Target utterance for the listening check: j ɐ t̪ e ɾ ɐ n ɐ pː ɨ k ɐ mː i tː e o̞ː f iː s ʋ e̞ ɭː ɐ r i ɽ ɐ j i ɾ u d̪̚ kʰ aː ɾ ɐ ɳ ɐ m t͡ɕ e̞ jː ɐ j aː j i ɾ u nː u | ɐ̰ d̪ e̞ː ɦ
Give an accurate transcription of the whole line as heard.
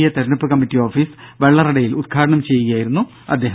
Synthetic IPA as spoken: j ɐ t̪ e ɾ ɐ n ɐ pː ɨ k ɐ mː i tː i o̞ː f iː s ʋ e̞ ɭː ɐ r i ɽ ɐ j i l u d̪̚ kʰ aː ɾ ɐ ɳ ɐ m t͡ɕ e̞ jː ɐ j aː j i ɾ u nː u | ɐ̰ d̪ː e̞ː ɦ